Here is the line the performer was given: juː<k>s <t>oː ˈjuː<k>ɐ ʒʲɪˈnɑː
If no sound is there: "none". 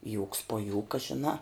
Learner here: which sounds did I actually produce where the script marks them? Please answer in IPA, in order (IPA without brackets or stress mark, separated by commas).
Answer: k, p, k